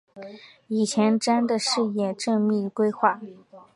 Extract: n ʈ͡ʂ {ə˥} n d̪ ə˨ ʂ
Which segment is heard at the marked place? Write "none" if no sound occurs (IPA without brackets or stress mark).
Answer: a˥